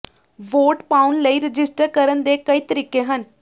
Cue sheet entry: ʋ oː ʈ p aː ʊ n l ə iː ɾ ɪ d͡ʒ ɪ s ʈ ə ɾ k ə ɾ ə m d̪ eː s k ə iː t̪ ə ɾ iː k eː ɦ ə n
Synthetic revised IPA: ʋ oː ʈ p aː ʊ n l ə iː ɾ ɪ d͡ʒ ɪ s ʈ ə ɾ k ə ɾ ə n d̪ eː k ə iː t̪ ə ɾ iː k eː ɦ ə n